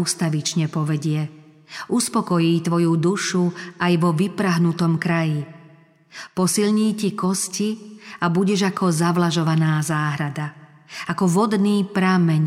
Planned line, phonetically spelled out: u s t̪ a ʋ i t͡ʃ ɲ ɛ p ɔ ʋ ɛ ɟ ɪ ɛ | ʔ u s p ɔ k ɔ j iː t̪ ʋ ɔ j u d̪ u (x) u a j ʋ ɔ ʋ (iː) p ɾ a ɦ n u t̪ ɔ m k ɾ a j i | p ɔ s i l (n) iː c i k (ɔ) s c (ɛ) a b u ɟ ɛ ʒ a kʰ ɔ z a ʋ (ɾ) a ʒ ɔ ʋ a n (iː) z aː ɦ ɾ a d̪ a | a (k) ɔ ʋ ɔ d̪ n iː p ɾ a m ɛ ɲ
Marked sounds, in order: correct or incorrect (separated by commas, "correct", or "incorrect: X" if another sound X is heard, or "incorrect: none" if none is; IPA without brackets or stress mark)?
incorrect: ʃ, incorrect: i, incorrect: ɲ, correct, incorrect: i, incorrect: l, incorrect: aː, correct